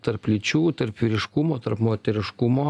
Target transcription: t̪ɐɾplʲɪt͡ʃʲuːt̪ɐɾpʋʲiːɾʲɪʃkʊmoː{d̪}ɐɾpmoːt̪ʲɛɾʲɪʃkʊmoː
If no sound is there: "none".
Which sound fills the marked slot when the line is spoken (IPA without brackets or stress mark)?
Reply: t̪